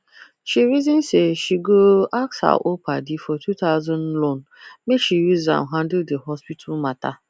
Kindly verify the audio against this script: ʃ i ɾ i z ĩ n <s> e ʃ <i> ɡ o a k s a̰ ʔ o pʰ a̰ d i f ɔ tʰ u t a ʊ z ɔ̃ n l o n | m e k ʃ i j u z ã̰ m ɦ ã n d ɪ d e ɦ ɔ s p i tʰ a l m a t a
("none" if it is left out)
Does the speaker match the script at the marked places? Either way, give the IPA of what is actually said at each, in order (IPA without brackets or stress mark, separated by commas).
s, i